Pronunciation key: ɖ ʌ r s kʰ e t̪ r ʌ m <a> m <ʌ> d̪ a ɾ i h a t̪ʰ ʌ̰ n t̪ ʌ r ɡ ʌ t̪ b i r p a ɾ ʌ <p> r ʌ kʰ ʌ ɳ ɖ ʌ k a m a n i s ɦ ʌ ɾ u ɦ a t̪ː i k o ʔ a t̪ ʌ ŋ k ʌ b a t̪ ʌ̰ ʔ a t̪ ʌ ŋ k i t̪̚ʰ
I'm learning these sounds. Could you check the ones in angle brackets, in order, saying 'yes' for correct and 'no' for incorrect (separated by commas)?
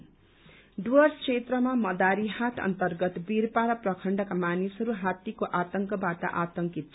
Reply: yes, yes, yes